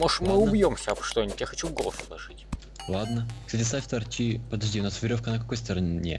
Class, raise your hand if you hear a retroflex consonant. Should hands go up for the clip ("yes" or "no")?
yes